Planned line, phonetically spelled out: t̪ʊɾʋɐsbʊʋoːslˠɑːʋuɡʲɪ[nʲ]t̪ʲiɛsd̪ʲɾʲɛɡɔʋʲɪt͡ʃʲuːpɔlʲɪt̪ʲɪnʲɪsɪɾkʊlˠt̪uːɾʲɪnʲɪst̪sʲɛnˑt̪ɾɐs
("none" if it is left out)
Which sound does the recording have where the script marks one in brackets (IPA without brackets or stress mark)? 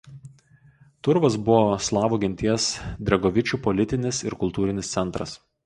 nʲ